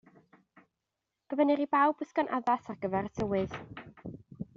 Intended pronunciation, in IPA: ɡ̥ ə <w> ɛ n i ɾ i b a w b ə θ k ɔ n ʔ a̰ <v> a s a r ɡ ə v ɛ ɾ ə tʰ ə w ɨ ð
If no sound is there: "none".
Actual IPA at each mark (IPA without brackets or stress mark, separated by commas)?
v, ð